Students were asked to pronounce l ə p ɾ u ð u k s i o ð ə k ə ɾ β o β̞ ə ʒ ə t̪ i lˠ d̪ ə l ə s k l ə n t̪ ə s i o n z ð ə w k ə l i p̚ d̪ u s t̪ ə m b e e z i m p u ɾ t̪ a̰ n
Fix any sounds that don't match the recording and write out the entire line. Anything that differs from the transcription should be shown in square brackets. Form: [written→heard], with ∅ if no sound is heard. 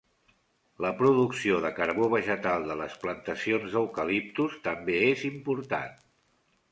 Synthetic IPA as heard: l ə p ɾ u ð u k s i o ð ə k ə ɾ β o β̞ ə ʒ ə t̪ [i→a] lˠ d̪ ə l ə s [k→p] l ə n t̪ ə s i o n z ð ə w k ə l i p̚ [d̪→t̪] u s t̪ ə m b e e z i m p u ɾ t̪ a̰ n